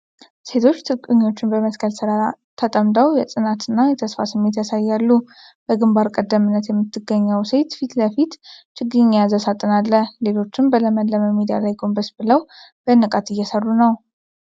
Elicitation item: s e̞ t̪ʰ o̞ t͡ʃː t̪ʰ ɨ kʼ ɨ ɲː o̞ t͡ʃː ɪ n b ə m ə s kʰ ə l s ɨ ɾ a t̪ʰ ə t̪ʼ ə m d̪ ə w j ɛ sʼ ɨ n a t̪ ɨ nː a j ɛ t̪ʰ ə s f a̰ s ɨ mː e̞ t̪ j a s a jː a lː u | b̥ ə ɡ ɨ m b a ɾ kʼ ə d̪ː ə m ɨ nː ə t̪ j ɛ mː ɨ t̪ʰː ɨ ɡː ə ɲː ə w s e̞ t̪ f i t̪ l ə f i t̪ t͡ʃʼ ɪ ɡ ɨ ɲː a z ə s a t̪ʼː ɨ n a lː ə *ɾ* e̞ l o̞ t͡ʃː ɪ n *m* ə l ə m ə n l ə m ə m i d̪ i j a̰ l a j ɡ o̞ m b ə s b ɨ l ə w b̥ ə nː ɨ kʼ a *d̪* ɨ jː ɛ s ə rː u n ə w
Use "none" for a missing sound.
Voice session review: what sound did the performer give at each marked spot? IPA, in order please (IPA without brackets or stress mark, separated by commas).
l, b, t̪